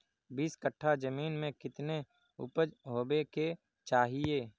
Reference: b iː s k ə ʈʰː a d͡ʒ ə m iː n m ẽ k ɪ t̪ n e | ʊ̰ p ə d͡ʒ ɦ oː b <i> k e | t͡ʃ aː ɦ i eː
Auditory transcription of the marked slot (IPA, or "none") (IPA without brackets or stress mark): e